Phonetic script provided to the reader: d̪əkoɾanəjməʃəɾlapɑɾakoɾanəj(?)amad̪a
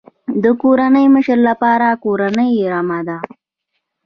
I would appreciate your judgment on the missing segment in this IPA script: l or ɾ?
ɾ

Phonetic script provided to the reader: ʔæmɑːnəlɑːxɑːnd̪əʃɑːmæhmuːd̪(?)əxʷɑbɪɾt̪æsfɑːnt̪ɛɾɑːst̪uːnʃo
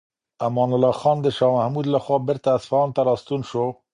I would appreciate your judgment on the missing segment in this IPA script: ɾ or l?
l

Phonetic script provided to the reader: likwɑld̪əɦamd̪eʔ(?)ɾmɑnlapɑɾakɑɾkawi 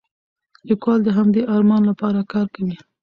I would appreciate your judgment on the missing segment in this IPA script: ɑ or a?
ɑ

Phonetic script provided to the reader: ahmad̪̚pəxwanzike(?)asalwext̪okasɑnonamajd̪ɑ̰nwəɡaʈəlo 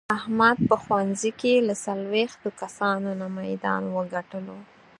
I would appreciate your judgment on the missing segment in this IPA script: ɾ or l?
l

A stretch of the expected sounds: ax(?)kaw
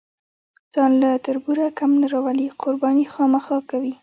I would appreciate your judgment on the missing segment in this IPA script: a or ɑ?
ɑ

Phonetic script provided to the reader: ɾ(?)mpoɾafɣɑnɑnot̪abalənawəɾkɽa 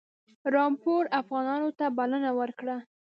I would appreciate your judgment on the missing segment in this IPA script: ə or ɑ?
ɑ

